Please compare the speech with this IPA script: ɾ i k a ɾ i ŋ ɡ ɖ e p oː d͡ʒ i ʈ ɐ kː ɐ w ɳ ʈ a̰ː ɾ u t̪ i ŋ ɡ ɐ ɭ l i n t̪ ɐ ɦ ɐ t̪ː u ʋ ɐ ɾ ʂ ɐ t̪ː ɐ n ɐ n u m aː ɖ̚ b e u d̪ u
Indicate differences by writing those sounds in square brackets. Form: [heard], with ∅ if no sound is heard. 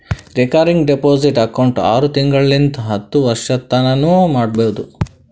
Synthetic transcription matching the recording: ɾ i k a ɾ i ŋ ɡ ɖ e p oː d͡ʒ i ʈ ɐ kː ɐ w ɳ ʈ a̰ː ɾ u t̪ i ŋ ɡ ɐ ɭ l i n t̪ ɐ ɦ ɐ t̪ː u ʋ ɐ ɾ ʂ ɐ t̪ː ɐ n ɐ n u m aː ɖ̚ b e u d̪ u